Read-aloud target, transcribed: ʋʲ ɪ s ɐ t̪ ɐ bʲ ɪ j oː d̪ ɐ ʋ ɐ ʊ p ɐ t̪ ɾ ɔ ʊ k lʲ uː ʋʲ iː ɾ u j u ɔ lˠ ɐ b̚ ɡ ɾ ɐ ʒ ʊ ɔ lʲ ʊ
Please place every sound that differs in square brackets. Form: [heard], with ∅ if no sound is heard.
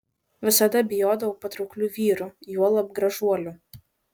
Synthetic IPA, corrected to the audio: ʋʲ ɪ s ɐ [d̪] ɐ bʲ ɪ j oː d̪ ɐ ʋ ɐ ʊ p ɐ t̪ ɾ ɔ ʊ k lʲ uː ʋʲ iː ɾ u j u ɔ lˠ ɐ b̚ ɡ ɾ ɐ ʒ [u] ɔ lʲ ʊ